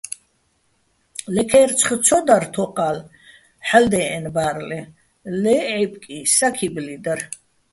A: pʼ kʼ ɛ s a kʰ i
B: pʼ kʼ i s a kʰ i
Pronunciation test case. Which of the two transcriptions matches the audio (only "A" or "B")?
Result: B